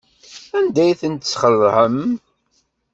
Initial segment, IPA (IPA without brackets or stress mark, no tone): æ